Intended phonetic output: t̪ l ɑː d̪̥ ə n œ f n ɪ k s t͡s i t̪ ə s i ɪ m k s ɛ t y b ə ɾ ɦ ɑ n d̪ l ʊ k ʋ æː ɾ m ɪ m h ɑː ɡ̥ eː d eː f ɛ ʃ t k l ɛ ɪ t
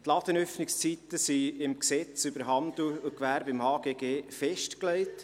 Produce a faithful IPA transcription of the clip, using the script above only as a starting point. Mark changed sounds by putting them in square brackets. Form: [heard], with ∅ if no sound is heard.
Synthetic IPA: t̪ l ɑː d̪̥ ə n œ f n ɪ k s t͡s i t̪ ə s i ɪ m k s ɛ [t͡s] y b ə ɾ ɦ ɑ n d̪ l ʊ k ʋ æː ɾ [b] ɪ m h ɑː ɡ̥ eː [ɡ] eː f ɛ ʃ t k l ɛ ɪ t